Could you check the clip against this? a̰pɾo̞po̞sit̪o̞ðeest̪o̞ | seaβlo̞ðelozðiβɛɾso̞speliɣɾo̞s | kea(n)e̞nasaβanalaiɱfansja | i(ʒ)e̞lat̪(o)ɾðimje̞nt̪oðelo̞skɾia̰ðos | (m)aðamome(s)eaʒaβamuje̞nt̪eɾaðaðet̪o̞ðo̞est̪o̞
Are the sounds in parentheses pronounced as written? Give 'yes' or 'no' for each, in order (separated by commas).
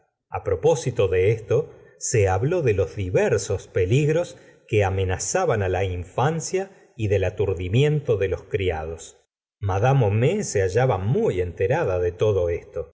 no, no, no, yes, yes